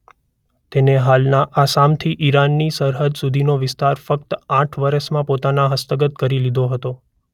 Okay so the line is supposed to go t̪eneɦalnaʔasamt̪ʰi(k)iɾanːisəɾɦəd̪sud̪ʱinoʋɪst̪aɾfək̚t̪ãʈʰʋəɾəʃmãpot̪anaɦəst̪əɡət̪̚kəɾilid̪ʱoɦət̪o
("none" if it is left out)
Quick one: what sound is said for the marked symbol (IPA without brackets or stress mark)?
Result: ʔ